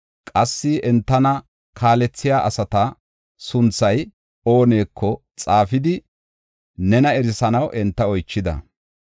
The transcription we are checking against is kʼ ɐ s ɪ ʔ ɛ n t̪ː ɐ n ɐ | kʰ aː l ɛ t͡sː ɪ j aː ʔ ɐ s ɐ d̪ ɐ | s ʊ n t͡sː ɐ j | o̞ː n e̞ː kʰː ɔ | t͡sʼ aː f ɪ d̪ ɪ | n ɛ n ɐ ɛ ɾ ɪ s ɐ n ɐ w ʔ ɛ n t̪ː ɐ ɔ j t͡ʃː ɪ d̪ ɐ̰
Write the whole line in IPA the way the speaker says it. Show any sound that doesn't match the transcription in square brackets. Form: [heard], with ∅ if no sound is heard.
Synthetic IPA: kʼ ɐ [sː] ɪ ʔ ɛ n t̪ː ɐ n ɐ | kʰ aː l ɛ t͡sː ɪ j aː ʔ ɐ s ɐ [t̪] ɐ | s ʊ n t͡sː ɐ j | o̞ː n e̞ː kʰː ɔ | t͡sʼ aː f ɪ d̪ ɪ | n ɛ n ɐ ɛ ɾ ɪ s ɐ n ɐ w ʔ ɛ n t̪ː ɐ ɔ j t͡ʃː ɪ d̪ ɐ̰